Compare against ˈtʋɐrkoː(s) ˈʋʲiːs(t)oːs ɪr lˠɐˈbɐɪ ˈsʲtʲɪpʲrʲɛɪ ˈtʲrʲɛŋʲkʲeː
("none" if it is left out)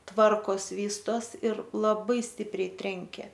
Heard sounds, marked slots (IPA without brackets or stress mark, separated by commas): s, t